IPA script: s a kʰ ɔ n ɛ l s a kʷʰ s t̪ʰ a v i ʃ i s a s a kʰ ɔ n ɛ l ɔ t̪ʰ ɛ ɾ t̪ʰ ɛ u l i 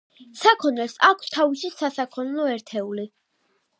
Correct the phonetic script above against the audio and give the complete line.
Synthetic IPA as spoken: s a kʰ ɔ n ɛ l s a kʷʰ s t̪ʰ a v i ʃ i s a s a kʰ ɔ n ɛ l ɔ ɛ ɾ t̪ʰ ɛ u l i